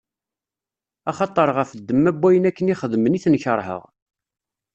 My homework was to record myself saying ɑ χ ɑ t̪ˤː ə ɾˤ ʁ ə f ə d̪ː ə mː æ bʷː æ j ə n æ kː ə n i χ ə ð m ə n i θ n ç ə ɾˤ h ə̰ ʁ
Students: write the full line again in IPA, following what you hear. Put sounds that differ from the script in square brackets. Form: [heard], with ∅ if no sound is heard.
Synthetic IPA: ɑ χ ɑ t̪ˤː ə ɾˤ ʁ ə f ə d̪ː ə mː æ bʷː æ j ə n æ kː ə n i χ ə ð m ə n i θ n ç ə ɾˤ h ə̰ ʁ